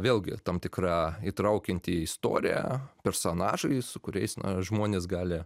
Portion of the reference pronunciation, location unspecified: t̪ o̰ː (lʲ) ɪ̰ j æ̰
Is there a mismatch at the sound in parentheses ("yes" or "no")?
yes